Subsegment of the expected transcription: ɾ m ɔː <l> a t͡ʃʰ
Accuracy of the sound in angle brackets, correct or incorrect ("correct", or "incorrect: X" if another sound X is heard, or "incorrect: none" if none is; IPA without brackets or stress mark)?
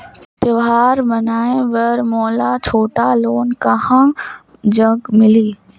correct